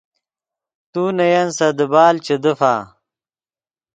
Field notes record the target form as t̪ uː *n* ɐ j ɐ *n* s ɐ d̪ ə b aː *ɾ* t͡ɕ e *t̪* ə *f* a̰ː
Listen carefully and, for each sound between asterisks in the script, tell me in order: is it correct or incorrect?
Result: correct, correct, incorrect, incorrect, correct

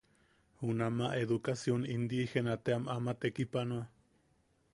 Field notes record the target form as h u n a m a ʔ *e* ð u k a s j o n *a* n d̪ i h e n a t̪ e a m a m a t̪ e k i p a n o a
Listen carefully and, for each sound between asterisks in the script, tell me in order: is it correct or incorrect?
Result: correct, incorrect

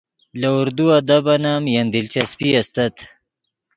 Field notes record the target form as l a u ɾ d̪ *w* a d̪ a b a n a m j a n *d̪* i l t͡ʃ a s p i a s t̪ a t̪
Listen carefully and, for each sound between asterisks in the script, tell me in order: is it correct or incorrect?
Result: incorrect, correct

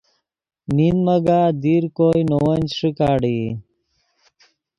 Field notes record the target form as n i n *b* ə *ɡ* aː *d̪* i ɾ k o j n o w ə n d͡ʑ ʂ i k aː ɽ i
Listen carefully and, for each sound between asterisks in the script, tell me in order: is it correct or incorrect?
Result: incorrect, correct, correct

